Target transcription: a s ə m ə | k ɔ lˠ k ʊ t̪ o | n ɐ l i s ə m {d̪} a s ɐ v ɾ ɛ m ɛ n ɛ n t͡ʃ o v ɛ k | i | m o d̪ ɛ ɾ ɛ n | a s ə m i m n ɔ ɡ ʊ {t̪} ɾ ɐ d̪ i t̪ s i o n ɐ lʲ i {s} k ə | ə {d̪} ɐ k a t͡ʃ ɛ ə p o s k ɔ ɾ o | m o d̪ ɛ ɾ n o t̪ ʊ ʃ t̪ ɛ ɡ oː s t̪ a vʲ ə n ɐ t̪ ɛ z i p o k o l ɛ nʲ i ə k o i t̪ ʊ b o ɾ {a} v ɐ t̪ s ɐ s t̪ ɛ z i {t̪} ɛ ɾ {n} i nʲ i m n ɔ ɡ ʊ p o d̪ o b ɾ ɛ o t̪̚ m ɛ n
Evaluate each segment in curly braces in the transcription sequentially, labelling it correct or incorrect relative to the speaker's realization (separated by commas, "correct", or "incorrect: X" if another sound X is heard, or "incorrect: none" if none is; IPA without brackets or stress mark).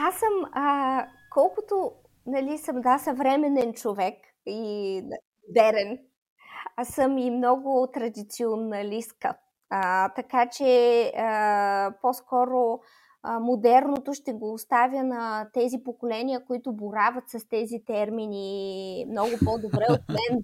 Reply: correct, correct, correct, incorrect: t̪, correct, correct, incorrect: m